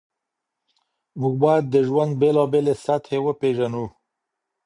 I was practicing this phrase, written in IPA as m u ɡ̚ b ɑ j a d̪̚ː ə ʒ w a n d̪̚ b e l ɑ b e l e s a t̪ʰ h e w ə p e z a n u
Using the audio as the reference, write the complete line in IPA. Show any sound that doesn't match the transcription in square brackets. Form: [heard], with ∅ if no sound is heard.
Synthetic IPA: m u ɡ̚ b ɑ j a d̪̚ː ə ʒ w a n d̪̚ b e l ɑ b e l e s a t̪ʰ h e w ə p e [ʒ] a n u